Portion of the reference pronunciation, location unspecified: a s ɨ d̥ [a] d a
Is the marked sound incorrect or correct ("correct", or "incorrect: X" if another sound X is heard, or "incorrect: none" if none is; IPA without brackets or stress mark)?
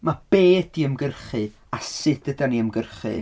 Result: incorrect: ə